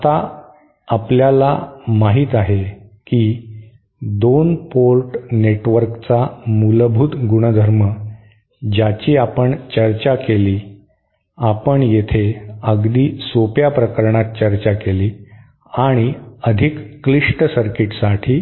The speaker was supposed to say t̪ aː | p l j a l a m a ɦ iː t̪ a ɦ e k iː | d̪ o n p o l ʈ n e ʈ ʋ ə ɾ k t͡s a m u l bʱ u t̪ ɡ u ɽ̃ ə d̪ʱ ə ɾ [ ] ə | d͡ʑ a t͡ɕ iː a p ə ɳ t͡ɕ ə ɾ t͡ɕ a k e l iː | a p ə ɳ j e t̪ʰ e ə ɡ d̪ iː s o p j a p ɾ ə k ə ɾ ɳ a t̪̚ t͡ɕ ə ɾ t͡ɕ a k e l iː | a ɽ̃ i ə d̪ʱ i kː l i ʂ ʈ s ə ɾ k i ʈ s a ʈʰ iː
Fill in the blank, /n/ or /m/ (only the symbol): m